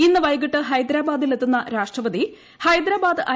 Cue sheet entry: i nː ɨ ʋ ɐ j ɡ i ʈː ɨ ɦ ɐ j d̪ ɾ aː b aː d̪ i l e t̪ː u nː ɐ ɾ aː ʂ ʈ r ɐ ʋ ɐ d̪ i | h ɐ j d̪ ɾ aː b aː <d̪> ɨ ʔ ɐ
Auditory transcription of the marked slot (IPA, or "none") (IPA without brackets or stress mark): d̪